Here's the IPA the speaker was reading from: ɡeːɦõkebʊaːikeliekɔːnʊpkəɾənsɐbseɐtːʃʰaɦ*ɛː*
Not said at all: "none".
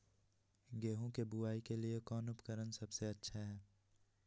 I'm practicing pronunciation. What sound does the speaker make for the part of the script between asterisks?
ɛː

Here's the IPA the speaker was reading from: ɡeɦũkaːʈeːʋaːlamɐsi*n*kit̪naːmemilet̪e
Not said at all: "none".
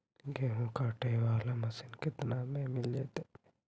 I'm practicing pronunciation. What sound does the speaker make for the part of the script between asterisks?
n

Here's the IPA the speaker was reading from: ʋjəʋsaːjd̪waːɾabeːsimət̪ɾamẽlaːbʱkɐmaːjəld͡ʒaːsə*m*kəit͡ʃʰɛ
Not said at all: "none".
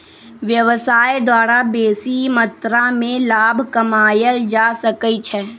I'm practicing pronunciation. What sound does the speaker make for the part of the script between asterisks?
none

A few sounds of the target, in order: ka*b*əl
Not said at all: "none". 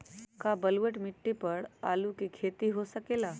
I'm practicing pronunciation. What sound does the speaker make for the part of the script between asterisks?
b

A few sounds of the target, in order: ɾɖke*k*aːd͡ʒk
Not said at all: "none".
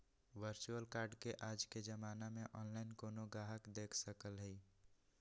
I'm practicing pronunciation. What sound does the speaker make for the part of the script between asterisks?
ʔ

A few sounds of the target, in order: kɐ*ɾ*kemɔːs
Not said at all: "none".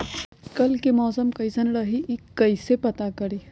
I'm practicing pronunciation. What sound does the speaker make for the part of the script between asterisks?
l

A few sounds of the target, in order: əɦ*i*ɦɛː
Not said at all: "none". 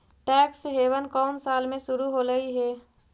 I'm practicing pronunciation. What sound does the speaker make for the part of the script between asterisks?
i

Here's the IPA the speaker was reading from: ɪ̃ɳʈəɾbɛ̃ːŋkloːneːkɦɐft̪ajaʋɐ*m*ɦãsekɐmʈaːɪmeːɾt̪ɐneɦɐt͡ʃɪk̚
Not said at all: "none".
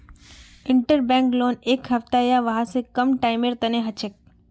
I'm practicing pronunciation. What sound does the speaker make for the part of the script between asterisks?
none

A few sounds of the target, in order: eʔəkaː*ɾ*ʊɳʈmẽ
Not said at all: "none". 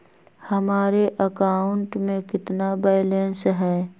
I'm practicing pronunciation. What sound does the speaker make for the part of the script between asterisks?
none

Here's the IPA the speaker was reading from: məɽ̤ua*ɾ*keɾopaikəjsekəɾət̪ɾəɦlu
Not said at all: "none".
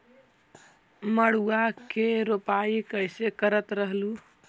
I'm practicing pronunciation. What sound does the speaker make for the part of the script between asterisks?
none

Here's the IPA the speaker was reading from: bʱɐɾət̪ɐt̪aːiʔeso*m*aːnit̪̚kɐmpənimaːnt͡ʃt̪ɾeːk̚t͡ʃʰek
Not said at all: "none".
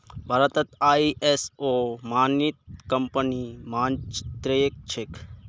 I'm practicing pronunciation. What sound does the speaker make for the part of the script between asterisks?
m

